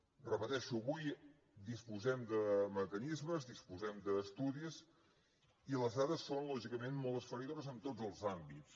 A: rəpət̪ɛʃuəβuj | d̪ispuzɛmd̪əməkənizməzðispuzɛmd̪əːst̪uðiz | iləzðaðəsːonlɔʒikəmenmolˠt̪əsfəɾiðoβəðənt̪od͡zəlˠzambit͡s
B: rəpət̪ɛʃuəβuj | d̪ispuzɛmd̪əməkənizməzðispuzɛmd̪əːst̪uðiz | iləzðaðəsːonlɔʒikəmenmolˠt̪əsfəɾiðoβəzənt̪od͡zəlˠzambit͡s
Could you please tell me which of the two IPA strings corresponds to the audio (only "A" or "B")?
B